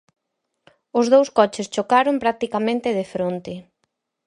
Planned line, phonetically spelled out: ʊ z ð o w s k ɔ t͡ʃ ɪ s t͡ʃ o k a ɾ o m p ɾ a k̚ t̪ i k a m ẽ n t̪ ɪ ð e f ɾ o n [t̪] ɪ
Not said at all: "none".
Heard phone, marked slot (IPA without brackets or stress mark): t̪